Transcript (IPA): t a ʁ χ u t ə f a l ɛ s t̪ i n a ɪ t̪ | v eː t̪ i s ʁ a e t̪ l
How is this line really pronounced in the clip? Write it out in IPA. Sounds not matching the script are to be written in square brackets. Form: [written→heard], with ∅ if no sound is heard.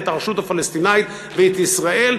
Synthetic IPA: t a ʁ [χ→ʃ] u t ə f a l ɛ s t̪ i n a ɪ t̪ | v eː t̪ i s ʁ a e [t̪→∅] l